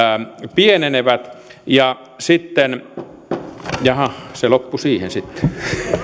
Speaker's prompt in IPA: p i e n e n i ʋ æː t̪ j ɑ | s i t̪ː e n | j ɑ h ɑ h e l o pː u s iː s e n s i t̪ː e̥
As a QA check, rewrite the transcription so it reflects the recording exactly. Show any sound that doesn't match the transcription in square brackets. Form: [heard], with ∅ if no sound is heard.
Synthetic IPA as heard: p i e n e n [e] ʋ [æ] t̪ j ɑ | s i t̪ː e n | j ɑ h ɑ [s] e l o pː u s iː [h] e n s i t̪ː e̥